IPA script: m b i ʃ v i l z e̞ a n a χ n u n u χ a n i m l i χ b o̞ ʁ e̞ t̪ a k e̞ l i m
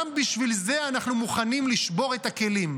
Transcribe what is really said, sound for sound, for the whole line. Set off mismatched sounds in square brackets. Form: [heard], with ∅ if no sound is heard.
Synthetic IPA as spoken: m b i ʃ v i l z e̞ a n a χ n u [m] u χ a n i m l i [ʃ] b o̞ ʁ e̞ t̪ a k e̞ l i m